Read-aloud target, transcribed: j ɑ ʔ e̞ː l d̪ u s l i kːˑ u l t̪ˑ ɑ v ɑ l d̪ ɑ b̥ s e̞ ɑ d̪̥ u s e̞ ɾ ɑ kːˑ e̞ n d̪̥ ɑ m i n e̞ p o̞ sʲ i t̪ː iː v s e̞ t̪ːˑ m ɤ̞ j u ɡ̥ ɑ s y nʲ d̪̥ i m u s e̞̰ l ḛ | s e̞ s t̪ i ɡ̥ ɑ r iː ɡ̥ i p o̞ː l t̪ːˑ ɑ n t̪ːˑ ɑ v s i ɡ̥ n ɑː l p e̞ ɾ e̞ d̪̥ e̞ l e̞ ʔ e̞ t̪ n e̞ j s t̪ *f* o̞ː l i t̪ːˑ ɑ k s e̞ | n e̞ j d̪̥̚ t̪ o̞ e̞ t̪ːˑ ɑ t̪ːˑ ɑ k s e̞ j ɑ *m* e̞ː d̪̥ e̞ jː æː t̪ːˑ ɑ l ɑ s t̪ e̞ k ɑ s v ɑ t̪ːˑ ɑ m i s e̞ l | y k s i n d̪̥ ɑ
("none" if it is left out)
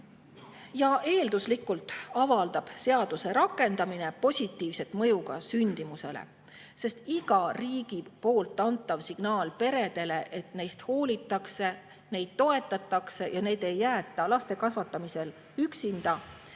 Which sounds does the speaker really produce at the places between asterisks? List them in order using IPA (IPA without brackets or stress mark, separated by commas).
h, n